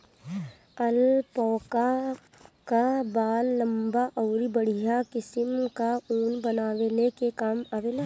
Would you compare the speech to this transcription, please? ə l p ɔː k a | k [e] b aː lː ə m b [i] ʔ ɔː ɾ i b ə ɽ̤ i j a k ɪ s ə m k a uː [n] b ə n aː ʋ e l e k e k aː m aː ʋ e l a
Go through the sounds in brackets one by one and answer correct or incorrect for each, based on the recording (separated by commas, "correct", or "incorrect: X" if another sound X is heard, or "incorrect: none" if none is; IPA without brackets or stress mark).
incorrect: a, incorrect: a, correct